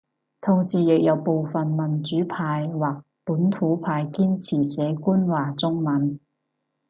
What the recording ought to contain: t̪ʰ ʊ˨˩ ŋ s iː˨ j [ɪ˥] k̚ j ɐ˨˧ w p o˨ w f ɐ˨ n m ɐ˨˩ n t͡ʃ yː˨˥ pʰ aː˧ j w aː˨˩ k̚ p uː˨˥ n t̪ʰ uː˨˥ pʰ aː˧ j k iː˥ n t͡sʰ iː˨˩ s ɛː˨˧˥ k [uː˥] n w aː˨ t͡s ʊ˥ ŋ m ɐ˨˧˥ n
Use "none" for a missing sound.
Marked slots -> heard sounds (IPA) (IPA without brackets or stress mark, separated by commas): ɪ˨, uː˥